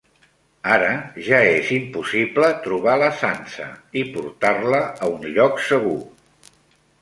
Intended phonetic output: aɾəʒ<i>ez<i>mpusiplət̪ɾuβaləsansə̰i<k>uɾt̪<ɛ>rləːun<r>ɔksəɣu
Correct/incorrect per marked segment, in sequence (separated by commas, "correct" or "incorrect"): incorrect, correct, incorrect, incorrect, incorrect